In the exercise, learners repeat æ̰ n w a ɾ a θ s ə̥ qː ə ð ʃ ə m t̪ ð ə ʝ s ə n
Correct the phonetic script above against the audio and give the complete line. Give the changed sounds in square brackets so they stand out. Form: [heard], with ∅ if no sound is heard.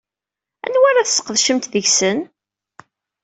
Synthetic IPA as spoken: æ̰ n w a ɾ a θ s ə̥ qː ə ð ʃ ə m t̪ ð ə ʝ s ə n